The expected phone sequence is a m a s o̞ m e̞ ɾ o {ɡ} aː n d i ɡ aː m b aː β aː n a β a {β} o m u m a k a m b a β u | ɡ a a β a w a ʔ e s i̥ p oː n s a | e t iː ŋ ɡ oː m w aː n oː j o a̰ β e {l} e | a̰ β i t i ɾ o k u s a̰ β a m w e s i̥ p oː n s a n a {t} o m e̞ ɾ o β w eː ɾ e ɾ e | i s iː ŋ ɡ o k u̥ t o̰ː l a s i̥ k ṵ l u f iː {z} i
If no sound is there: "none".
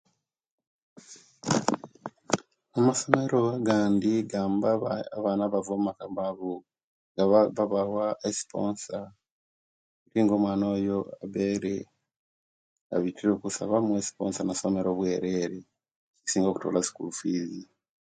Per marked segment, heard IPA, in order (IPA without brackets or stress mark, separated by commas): ɡ, v, ɾ, s, z